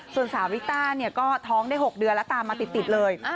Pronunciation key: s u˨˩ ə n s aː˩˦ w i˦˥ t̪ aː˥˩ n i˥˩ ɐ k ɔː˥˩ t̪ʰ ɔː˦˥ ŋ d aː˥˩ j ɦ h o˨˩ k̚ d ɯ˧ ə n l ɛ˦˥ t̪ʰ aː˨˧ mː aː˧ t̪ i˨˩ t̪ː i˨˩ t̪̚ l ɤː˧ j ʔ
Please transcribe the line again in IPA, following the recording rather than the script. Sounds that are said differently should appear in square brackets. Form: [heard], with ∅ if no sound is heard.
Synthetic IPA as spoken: s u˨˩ ə n s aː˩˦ w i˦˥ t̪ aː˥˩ n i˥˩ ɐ k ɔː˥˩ t̪ʰ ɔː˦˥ ŋ d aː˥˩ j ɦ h o˨˩ k̚ d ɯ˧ ə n l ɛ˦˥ [t̪] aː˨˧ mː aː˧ t̪ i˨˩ t̪ː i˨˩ t̪̚ l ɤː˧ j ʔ